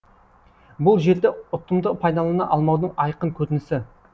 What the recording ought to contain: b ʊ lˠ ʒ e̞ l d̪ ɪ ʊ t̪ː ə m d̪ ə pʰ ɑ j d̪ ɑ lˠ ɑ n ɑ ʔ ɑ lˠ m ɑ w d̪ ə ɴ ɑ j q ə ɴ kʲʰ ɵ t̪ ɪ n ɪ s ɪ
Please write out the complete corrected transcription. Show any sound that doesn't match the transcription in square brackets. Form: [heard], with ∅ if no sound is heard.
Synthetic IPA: b ʊ lˠ ʒ e̞ [ɾ] d̪ ɪ ʊ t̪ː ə m d̪ ə pʰ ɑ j d̪ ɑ lˠ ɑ n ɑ ʔ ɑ lˠ m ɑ w d̪ ə ɴ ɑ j q ə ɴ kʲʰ ɵ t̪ ɪ n ɪ s ɪ